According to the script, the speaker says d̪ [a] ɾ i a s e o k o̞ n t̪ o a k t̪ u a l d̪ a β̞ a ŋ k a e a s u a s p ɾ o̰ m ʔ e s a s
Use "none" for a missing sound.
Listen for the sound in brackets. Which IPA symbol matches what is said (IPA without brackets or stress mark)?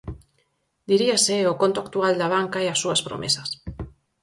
i